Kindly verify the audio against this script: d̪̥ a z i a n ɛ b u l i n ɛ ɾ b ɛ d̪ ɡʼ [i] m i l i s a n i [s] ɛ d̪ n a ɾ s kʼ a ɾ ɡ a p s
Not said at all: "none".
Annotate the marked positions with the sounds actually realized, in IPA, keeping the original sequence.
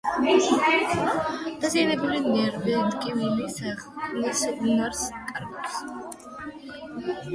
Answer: i, s

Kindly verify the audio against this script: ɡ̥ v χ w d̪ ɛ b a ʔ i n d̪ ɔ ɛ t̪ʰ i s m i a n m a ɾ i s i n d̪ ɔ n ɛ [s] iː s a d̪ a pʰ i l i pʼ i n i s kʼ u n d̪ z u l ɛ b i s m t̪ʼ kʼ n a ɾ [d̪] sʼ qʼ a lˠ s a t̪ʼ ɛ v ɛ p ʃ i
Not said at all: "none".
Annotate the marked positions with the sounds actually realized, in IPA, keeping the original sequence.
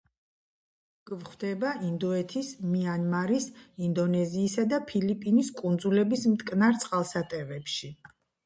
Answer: z, t̪

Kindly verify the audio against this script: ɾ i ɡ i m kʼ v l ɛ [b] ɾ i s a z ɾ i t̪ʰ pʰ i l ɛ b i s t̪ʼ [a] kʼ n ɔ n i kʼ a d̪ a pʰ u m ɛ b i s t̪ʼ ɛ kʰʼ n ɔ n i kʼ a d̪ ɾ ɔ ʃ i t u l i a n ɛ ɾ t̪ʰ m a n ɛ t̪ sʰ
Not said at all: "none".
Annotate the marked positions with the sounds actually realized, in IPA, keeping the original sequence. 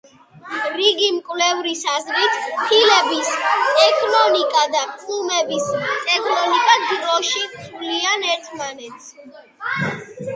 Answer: v, ɛ

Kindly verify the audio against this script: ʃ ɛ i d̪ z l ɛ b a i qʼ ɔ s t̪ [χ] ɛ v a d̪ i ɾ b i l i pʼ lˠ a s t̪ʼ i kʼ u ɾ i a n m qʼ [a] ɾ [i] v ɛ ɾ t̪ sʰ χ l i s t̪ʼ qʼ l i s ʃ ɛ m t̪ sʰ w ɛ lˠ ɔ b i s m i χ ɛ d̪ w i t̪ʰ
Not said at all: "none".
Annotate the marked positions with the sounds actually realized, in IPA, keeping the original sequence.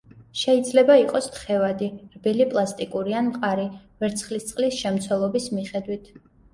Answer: χ, a, i

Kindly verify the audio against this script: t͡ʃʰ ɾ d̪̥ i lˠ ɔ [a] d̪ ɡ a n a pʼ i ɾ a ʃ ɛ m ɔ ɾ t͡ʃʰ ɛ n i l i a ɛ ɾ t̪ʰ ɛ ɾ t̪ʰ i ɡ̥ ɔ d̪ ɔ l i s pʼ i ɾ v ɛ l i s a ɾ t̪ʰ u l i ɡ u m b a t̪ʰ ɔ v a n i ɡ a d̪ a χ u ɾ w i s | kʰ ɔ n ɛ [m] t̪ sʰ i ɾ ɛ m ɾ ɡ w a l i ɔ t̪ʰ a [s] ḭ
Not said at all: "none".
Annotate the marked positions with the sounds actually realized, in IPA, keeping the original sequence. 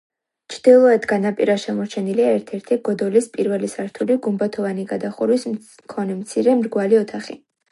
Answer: ɛ, m, χ

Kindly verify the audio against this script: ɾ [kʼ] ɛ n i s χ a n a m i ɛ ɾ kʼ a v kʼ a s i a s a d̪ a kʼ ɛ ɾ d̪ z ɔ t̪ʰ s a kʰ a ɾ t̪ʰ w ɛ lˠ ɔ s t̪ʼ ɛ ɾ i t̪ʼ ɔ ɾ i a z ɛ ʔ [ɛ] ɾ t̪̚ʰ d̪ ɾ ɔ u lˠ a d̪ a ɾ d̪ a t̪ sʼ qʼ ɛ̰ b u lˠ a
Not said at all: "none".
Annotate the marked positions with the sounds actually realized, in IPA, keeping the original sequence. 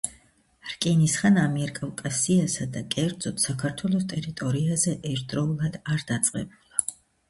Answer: kʼ, ɛ

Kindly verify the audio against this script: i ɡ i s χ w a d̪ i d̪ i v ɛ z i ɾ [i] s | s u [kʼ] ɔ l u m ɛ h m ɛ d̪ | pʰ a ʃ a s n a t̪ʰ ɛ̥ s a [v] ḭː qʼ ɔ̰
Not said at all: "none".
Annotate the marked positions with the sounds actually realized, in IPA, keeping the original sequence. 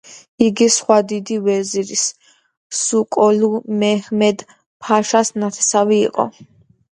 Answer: i, kʼ, v

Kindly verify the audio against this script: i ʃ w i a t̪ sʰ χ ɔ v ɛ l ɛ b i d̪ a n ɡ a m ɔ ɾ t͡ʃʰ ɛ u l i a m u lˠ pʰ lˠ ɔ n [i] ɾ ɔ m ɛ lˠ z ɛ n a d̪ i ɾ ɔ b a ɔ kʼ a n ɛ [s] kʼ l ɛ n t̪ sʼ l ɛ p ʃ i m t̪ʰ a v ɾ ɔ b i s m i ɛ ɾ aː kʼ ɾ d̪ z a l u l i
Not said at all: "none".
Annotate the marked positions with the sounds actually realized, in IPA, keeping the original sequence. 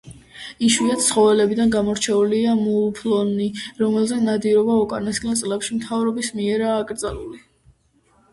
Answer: i, s

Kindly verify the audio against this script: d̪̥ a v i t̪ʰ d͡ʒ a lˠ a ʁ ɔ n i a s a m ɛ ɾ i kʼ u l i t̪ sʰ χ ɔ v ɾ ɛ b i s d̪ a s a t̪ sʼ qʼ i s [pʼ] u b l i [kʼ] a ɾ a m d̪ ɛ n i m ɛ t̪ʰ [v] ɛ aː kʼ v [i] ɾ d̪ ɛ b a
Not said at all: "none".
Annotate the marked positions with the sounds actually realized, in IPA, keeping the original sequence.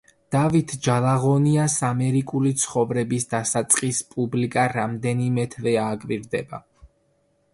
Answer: pʼ, kʼ, v, i

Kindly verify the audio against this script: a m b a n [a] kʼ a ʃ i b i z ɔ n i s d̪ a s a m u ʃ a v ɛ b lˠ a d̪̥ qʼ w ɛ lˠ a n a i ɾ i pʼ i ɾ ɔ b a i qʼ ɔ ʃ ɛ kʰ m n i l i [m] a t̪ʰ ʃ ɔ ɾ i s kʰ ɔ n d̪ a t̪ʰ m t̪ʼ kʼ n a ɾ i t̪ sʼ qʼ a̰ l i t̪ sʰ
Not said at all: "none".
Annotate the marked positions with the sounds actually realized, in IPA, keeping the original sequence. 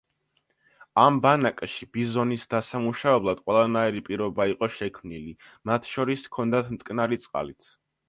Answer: a, m

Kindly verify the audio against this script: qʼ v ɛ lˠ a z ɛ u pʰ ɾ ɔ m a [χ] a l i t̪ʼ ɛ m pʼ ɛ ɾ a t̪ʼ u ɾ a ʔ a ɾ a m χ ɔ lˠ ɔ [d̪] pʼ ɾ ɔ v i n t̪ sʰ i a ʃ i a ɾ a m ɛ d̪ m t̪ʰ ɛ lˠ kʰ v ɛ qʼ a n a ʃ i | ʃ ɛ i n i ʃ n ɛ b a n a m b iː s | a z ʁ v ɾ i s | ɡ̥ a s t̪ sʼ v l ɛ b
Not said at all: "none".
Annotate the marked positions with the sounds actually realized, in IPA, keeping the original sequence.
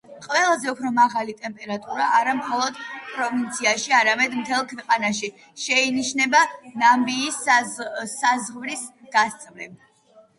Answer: ʁ, d̪

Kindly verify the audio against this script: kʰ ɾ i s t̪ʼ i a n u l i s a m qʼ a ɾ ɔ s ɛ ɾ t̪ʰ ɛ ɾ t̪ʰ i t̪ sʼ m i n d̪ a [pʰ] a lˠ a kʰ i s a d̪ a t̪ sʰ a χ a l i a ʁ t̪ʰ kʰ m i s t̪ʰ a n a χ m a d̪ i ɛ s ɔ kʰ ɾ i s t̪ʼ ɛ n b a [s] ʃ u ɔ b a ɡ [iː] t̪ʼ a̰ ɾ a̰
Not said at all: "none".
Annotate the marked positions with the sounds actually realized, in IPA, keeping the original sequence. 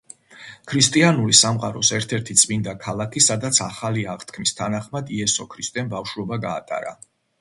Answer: kʰ, f, aː

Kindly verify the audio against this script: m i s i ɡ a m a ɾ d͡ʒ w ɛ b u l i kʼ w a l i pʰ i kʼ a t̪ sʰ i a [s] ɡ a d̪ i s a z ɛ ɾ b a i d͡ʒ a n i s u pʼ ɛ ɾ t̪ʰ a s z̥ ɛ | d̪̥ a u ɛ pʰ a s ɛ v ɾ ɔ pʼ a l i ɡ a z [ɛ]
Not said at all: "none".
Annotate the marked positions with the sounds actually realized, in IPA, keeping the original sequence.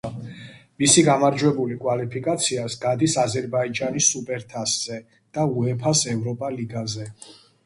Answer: s, ɛ

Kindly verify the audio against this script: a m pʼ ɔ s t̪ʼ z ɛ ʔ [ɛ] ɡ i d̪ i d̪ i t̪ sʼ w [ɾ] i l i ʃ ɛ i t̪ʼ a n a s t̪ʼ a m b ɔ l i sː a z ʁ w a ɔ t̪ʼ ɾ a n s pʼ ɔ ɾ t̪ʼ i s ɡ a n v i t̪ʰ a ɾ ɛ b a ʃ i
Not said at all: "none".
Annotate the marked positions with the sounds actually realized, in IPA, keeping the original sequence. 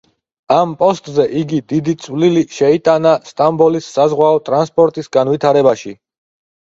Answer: i, l

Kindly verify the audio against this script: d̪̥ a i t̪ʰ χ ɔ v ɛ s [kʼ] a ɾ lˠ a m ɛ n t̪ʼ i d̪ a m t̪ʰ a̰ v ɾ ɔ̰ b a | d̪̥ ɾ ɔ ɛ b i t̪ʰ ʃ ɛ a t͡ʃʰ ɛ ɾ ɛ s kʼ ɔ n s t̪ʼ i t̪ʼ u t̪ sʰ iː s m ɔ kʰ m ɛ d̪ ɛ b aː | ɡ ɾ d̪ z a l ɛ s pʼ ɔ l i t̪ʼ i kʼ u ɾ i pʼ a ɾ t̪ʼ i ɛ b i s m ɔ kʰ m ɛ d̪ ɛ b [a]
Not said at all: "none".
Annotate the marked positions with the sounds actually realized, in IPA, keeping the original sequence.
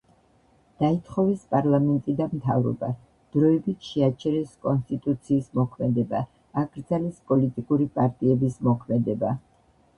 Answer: pʼ, a

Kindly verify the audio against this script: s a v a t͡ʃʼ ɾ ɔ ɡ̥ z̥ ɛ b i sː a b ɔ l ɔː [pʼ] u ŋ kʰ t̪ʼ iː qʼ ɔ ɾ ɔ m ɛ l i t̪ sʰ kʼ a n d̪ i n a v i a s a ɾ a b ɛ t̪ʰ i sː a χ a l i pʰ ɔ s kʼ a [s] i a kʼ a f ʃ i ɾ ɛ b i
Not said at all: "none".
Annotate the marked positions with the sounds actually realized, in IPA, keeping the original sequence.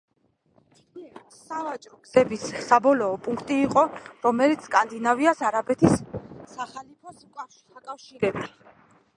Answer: pʼ, ʃ

